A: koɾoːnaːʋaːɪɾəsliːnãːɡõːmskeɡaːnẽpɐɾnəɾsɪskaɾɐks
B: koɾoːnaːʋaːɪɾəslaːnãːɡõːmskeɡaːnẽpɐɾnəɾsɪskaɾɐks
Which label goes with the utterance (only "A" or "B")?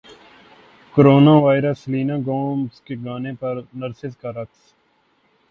A